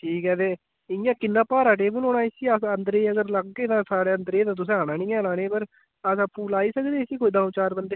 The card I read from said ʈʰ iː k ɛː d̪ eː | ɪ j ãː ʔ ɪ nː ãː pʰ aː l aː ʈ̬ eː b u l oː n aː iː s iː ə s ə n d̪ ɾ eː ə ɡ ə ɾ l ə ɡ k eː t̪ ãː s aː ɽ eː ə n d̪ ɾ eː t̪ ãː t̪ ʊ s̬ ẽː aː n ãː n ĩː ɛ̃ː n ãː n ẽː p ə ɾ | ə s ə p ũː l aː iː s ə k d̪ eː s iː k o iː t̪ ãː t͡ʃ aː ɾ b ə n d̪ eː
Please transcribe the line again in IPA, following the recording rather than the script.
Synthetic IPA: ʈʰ iː k ɛː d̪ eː | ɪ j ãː k ɪ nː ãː p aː ɾ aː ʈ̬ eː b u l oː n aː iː s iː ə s ə n d̪ ɾ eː ə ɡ ə ɾ l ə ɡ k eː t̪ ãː s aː ɽ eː ə n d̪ ɾ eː t̪ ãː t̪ ʊ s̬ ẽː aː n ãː n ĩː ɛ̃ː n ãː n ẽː p ə ɾ | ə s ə p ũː l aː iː s ə k d̪ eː s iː k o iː d̪ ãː t͡ʃ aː ɾ b ə n d̪ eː